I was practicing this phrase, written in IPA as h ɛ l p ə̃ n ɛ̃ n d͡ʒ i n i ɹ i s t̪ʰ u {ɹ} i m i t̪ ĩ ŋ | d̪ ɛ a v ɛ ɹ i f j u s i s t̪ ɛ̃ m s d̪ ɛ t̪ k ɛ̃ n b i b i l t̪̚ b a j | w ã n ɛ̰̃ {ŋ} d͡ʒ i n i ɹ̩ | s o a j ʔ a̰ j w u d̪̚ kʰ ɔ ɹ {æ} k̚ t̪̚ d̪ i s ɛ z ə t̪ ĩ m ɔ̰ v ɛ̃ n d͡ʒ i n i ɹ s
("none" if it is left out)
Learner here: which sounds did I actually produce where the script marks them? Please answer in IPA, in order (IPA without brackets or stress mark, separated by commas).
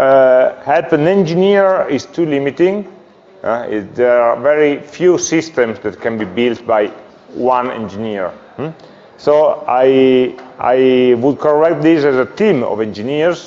l, n, ɛ